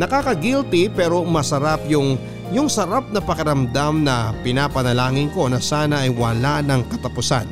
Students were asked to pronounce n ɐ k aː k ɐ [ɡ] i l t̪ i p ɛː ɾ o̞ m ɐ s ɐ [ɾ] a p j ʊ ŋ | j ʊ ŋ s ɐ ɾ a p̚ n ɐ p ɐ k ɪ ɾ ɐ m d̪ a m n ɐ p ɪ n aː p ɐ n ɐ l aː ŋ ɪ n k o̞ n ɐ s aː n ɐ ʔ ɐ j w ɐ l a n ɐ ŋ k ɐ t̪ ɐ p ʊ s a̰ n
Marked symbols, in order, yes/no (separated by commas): yes, yes